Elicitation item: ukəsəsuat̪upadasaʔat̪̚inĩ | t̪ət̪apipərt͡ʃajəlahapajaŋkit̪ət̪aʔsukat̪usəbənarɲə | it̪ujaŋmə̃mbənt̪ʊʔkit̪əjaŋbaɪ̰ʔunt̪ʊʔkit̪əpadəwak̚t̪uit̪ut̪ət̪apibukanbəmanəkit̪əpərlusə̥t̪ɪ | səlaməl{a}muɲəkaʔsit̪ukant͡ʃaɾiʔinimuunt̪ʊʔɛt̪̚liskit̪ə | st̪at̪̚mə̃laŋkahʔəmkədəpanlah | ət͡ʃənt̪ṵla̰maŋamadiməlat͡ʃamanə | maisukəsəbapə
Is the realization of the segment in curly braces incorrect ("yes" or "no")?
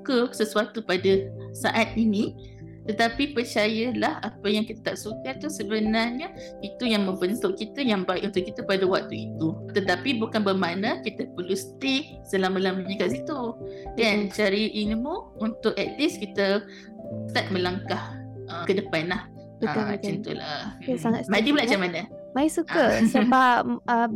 no